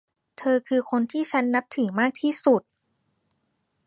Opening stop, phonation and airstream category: aspirated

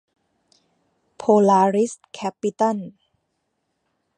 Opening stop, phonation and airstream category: aspirated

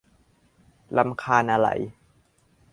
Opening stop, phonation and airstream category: aspirated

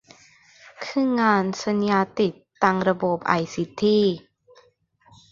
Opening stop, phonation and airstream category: aspirated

